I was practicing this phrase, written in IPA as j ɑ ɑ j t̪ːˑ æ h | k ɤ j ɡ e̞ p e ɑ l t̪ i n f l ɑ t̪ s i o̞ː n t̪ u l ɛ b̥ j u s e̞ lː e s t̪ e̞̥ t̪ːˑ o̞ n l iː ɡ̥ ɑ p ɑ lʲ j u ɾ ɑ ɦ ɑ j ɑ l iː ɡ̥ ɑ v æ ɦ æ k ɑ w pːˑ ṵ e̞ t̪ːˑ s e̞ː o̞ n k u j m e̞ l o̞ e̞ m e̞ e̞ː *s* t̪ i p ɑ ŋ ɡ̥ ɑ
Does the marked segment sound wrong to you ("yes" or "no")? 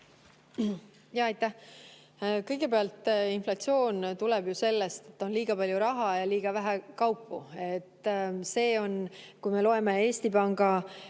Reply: no